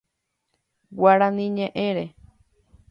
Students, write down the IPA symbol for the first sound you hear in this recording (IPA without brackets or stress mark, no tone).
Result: w